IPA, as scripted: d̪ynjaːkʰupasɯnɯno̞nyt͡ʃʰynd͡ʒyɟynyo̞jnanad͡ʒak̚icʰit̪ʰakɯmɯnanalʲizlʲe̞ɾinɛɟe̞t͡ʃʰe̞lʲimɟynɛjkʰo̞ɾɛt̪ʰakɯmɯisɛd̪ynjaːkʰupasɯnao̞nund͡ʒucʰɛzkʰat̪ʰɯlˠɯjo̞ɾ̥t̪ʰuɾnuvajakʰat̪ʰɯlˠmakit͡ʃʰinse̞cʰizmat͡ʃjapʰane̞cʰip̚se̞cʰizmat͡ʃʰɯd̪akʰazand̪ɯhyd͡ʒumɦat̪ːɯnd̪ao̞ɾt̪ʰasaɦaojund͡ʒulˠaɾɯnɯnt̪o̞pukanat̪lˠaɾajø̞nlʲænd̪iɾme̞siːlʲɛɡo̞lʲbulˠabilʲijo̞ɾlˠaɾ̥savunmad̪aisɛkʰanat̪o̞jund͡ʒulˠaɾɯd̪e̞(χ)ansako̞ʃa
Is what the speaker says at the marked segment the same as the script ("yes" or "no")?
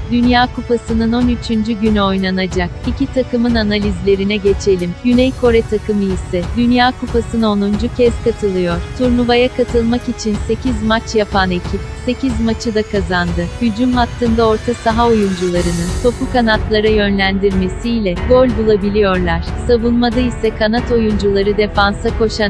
no